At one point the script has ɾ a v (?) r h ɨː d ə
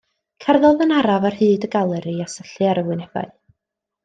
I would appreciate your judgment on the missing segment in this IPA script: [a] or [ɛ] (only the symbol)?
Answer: a